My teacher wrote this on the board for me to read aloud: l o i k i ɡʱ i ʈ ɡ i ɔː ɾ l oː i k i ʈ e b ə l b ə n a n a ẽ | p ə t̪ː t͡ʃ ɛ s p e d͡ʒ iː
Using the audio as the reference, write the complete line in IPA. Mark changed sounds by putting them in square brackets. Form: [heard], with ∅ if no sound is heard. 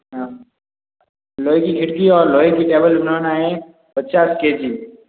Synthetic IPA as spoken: l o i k i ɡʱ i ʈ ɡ i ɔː ɾ l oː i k i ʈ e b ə l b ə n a n a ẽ | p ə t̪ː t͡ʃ [a] s [k] e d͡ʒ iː